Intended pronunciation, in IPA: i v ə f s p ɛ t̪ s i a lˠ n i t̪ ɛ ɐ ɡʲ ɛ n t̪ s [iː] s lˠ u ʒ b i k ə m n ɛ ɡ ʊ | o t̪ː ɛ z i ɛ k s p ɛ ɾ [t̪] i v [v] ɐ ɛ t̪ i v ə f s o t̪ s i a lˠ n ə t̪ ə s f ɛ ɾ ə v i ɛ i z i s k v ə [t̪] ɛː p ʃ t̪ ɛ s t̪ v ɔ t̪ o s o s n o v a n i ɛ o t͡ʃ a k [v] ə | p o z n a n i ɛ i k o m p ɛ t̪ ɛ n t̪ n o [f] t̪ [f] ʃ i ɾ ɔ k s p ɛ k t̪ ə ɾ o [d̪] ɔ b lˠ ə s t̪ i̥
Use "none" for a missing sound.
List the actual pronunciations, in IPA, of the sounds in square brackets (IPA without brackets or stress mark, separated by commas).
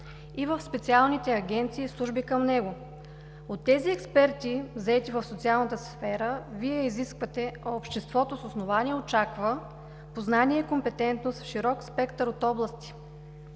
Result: iː, t̪, z, t̪, v, s, f, t̪